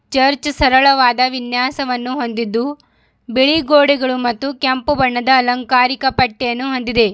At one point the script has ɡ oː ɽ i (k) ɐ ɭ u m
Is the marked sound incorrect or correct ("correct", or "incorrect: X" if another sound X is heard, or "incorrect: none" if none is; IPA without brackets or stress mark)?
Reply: incorrect: ɡ